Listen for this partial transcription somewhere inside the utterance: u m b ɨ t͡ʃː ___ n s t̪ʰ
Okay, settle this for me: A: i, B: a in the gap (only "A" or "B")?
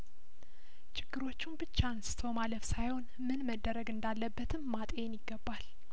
B